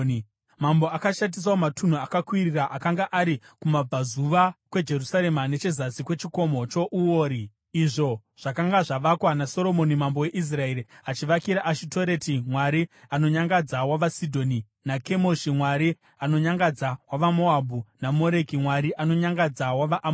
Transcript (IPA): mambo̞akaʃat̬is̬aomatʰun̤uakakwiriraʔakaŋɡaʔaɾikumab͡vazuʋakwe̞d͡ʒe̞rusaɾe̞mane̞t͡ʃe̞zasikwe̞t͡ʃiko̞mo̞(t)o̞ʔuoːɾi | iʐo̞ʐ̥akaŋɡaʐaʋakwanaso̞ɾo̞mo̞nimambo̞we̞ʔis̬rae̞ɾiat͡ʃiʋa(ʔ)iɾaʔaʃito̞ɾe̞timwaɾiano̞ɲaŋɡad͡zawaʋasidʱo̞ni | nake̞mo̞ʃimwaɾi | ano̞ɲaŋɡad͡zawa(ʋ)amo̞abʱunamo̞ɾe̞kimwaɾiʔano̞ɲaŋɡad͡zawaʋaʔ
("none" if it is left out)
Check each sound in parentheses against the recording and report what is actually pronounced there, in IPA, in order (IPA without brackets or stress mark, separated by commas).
t͡ʃ, k, ʋ